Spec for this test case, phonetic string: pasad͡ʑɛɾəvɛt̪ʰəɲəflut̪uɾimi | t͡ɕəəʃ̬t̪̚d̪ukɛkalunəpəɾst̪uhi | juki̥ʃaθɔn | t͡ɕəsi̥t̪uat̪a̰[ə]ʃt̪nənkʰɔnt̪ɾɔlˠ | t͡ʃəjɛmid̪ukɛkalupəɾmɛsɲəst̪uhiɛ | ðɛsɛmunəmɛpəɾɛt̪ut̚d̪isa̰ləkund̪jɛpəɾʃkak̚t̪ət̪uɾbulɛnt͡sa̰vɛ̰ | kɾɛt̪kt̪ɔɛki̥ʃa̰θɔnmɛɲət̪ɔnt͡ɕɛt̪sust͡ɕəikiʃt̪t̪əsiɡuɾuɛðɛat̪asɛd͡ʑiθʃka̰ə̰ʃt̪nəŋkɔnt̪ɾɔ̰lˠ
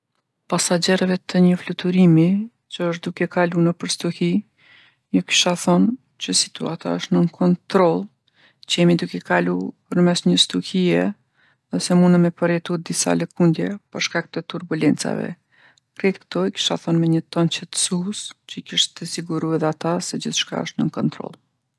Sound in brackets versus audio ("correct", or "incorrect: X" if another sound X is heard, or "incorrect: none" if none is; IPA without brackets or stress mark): correct